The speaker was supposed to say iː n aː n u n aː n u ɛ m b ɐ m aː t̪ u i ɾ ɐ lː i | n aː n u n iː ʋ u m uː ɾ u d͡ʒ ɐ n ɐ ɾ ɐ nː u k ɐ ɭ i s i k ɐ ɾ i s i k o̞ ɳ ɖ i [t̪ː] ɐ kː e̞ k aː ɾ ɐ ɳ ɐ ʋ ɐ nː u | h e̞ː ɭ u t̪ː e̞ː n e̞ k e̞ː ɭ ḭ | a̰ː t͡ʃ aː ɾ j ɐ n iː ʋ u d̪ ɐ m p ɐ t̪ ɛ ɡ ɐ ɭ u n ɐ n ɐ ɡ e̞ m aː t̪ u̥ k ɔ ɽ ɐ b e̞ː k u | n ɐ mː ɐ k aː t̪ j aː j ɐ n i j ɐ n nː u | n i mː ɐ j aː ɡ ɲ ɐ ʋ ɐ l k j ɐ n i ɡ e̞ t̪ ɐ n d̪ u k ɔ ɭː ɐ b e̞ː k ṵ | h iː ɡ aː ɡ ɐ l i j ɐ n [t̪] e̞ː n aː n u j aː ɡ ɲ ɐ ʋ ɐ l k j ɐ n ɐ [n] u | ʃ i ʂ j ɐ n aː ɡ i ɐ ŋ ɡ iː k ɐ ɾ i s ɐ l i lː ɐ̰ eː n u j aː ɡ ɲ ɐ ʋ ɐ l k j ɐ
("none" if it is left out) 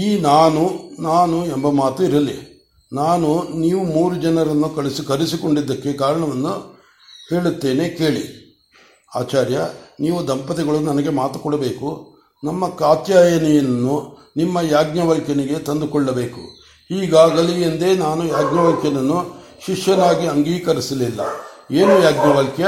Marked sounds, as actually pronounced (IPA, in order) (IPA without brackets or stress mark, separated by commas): d̪ː, d̪, nː